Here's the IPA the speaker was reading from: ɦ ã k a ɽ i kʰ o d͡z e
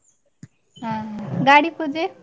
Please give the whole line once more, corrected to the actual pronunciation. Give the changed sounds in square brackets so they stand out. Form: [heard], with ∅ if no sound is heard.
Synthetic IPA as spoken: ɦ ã [ɡ] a ɽ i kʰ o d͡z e